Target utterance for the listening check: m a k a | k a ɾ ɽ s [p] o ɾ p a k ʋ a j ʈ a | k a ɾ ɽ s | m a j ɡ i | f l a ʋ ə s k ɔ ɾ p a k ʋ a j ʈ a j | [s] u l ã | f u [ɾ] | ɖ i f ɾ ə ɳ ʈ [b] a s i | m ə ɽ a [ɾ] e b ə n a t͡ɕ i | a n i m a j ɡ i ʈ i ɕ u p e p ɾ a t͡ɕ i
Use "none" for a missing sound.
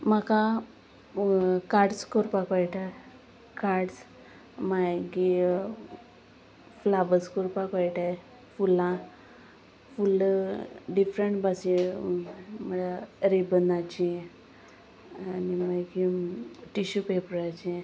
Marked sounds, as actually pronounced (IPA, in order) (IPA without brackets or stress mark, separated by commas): k, f, l, b, ɾ